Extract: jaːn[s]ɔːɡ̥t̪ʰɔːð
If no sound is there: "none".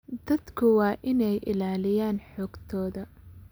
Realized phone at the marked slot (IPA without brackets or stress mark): ħ